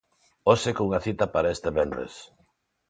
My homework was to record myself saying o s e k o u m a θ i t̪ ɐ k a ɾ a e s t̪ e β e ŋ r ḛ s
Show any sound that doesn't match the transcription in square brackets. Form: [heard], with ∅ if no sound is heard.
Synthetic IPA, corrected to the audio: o s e k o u [ŋ] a θ i t̪ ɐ [p] a ɾ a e s t̪ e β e [n] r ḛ s